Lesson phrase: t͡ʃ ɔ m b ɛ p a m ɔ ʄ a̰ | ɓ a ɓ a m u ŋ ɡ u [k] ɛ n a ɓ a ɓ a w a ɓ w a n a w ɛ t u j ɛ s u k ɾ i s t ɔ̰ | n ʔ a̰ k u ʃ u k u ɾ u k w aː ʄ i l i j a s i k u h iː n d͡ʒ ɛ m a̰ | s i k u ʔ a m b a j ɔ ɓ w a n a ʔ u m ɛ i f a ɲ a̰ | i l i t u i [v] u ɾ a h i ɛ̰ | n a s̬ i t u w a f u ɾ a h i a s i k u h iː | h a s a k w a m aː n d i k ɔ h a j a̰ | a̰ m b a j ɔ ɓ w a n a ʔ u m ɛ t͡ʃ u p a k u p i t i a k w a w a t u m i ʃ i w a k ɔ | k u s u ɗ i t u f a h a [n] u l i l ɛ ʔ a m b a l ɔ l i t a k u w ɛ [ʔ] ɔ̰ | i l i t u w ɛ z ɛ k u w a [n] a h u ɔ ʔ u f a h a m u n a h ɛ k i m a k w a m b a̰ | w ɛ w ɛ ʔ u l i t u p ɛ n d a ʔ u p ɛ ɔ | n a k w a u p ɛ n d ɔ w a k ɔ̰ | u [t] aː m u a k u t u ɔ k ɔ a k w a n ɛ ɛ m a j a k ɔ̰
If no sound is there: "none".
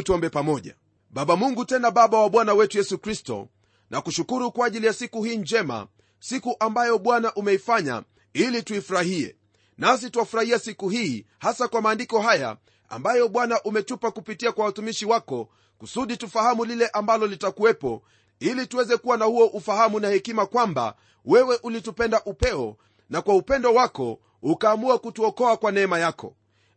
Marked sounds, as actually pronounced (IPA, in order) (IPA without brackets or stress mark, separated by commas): t, f, m, p, n, k